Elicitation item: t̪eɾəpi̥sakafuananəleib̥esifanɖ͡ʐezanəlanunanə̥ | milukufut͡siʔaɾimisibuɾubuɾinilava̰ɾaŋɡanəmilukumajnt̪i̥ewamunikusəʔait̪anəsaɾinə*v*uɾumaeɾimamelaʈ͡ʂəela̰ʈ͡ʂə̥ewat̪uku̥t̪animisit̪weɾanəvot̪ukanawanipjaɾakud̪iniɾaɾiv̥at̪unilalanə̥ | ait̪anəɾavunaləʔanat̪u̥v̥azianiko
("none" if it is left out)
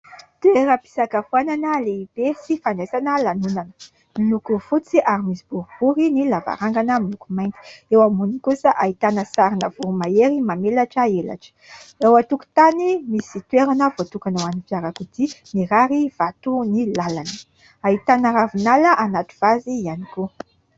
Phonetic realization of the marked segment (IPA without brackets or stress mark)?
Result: v